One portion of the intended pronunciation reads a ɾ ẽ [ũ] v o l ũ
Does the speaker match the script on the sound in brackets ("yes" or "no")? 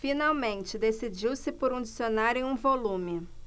yes